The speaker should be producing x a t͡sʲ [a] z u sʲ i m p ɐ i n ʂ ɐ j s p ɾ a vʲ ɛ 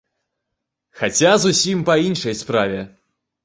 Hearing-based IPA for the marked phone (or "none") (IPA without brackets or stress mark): a